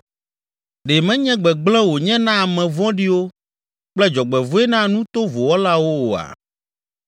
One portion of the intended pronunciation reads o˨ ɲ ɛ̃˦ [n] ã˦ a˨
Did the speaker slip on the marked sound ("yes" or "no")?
no